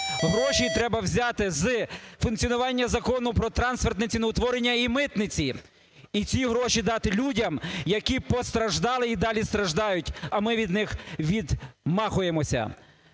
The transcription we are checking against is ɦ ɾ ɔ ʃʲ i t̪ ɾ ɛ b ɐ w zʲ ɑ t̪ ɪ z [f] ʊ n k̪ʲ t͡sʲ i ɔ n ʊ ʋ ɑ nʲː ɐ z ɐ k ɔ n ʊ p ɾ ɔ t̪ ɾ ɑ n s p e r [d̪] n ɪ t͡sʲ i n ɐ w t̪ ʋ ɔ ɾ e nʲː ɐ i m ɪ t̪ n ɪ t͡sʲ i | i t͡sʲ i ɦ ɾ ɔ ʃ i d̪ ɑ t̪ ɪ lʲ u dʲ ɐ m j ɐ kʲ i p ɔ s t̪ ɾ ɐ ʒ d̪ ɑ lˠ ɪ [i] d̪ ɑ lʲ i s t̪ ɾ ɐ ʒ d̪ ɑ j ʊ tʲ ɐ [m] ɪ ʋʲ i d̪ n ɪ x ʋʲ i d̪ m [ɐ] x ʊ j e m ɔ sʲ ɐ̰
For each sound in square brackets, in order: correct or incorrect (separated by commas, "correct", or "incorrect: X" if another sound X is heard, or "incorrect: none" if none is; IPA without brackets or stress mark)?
correct, incorrect: t̪, correct, correct, incorrect: ɑ